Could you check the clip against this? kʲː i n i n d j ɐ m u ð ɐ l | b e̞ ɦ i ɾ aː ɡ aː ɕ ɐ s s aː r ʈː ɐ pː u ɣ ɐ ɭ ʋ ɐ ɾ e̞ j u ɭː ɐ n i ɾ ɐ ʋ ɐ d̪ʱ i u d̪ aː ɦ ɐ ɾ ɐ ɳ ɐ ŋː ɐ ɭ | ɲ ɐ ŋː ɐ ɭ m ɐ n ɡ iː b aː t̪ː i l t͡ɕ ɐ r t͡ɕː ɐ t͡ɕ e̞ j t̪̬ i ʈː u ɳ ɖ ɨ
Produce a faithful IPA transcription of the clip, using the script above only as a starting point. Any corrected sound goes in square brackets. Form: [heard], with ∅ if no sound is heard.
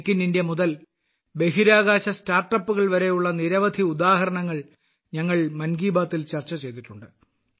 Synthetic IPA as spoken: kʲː i n i n d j ɐ m u ð ɐ l | b e̞ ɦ i ɾ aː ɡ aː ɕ ɐ s [t] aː r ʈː ɐ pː u ɣ ɐ ɭ ʋ ɐ ɾ e̞ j u ɭː ɐ n i ɾ ɐ ʋ ɐ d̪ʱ i u d̪ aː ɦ ɐ ɾ ɐ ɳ ɐ ŋː ɐ ɭ | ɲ ɐ ŋː ɐ ɭ m ɐ n ɡ iː b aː t̪ː i l t͡ɕ ɐ r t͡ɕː ɐ t͡ɕ e̞ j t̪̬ i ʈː u ɳ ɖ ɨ